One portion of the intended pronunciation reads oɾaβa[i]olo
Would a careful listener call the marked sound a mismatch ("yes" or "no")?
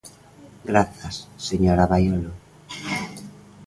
yes